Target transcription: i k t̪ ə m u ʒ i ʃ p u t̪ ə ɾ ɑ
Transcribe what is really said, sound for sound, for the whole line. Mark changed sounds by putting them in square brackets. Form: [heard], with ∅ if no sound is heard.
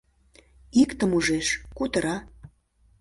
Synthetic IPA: i k t̪ ə m u ʒ [e] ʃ [k] u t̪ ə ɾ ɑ